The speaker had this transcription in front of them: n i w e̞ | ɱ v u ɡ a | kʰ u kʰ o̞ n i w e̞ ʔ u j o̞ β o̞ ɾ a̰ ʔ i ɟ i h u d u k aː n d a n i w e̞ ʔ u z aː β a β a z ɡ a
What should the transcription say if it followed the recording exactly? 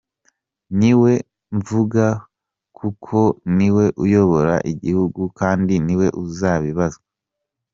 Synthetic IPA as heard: n i w e̞ | ɱ v u ɡ a | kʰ u kʰ o̞ n i w e̞ ʔ u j o̞ β o̞ ɾ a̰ ʔ i ɟ i h u ɡ u k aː n d i n i w e̞ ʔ u z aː β i β a z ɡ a

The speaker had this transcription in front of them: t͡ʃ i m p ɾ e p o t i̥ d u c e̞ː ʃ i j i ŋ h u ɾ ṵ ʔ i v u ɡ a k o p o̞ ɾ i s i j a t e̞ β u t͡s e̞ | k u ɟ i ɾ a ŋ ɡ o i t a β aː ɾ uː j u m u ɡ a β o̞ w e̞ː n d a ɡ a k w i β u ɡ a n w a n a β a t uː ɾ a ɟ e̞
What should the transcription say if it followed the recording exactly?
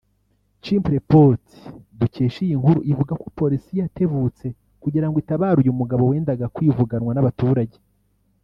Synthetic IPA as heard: t͡ʃ i m p ɾ e p o t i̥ d u c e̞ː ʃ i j i ŋ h u ɾ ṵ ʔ i v u ɡ a k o p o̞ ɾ i s i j a t e̞ β u t͡s e̞ | k u ɟ i ɾ a ŋ ɡ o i t a β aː ɾ u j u m u ɡ a β o̞ w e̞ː n d a ɡ a k w i v u ɡ a n w a n a β a t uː ɾ a ɟ e̞

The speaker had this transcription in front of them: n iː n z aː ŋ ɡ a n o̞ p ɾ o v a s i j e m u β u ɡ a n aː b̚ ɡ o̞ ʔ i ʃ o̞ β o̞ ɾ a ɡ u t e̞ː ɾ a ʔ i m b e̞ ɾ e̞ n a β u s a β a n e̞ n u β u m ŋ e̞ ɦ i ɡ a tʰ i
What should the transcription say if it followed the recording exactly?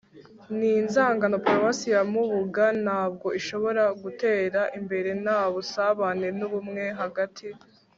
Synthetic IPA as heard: n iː n z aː ŋ ɡ a n o̞ p ɾ o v a s i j a m u β u ɡ a n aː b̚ ɡ o̞ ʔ i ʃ o̞ β o̞ ɾ a ɡ u t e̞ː ɾ a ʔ i m b e̞ ɾ e̞ n a β u s a β a n e̞ n u β u m ŋ e̞ ɦ a ɡ a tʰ i

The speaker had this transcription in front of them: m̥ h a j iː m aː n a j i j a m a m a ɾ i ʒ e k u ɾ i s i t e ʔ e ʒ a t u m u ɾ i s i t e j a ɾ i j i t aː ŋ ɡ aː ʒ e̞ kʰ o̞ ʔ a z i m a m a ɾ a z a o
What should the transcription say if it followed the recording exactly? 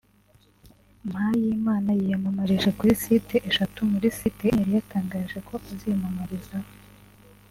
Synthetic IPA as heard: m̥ h a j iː m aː n a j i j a m a m a ɾ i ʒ e k u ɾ i s i t e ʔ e ʃ a t u m u ɾ i s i t e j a ɾ i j a t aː ŋ ɡ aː ʒ e̞ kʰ o̞ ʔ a z i m a m a ɾ i z a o

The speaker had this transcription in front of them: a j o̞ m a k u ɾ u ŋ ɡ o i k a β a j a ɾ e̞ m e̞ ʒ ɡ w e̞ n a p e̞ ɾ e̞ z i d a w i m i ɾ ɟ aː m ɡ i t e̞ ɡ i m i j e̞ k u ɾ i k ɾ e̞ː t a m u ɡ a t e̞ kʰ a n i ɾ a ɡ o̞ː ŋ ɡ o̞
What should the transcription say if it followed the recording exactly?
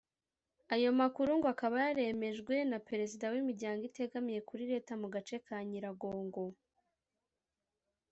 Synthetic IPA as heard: a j o̞ m a k u ɾ u ŋ ɡ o a k a β a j a ɾ e̞ m e̞ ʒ ɡ w e̞ n a p e̞ ɾ e̞ z i d a w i m i ɾ ɟ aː ŋ ɡ i t e̞ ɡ a m i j e̞ k u ɾ i ɾ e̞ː t a m u ɡ a t͡ʃ e̞ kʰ a ɲ i ɾ a ɡ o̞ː ŋ ɡ o̞

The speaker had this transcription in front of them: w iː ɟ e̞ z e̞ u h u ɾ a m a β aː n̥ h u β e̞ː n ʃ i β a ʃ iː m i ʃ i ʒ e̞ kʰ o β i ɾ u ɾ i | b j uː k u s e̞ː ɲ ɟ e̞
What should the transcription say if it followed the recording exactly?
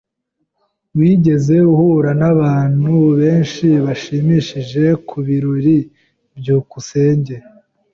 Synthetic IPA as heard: w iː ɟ e̞ z e̞ u h u ɾ a n a β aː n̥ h u β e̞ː n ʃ i β a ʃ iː m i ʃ i ʒ e̞ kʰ u β i ɾ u ɾ i | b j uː k u s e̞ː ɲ ɟ e̞

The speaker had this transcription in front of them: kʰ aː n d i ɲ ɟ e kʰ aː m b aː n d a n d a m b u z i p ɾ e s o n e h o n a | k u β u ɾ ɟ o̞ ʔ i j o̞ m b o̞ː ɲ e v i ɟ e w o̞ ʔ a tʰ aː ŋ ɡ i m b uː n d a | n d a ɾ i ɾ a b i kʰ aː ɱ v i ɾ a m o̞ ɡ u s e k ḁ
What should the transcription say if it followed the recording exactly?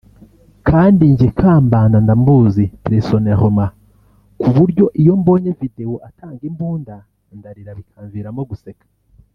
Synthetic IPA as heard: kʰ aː n d i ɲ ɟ e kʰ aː m b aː n d a n d a m b u z i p ɾ e s o n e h o m a | k u β u ɾ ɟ o̞ ʔ i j o̞ m b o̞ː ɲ e v i d e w o̞ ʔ a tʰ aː ŋ ɡ i m b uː n d a | n d a ɾ i ɾ a β i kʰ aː ɱ v i ɾ a m o̞ ɡ u s e k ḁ

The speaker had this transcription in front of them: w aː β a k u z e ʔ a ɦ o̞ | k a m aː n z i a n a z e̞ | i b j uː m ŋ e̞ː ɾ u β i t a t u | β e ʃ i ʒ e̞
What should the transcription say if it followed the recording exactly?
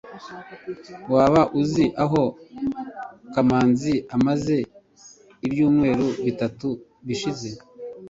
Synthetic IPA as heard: w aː β a ʔ u z i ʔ a ɦ o̞ | k a m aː n z i a m a z e̞ | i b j uː m ŋ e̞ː ɾ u β i t a t u | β i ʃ i z e̞

